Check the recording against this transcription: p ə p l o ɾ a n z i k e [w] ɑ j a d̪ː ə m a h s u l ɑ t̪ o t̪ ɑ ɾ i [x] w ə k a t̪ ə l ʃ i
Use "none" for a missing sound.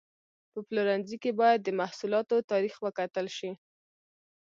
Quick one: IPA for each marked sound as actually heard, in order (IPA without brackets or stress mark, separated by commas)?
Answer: b, x